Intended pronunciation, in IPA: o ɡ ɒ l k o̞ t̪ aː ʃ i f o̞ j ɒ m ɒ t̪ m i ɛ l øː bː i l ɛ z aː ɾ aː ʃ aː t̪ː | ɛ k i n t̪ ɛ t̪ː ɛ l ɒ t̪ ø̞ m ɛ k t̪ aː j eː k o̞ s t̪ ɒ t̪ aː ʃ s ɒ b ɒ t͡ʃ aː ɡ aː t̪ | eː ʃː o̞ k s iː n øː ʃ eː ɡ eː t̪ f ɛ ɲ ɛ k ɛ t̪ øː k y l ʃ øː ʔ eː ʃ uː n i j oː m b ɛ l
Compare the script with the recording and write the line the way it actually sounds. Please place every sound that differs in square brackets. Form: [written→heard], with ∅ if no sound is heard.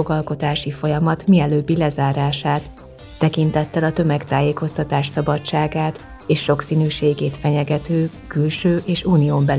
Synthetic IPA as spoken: o ɡ ɒ l k o̞ t̪ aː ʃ i f o̞ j ɒ m ɒ t̪ m i ɛ l øː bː i l ɛ z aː ɾ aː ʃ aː t̪ː | ɛ k i n t̪ ɛ t̪ː ɛ l ɒ t̪ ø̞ m ɛ k t̪ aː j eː k o̞ s t̪ ɒ t̪ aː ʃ s ɒ b ɒ t͡ʃ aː ɡ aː t̪ | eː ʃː o̞ k s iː n [øː→yː] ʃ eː ɡ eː t̪ f ɛ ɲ ɛ [k→ɡ] ɛ t̪ øː k y l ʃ øː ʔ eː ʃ uː n i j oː m b ɛ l